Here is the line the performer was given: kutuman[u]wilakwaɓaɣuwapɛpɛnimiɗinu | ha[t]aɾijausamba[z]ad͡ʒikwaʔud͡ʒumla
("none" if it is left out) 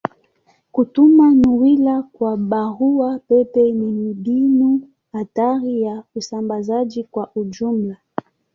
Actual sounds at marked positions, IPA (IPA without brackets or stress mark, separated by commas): u, t, z